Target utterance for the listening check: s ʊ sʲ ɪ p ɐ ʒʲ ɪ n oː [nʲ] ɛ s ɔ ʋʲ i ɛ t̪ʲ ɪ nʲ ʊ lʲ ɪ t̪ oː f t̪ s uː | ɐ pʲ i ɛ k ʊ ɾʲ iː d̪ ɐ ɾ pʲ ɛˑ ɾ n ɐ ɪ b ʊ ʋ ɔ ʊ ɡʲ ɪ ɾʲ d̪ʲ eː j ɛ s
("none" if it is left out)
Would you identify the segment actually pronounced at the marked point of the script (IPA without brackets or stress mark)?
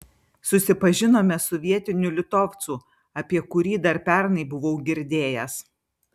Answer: mʲ